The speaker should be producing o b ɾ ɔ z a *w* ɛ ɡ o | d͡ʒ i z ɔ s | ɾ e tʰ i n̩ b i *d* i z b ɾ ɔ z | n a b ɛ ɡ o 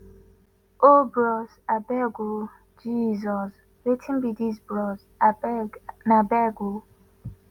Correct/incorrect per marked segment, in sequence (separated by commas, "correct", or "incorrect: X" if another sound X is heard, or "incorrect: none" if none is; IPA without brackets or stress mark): incorrect: b, correct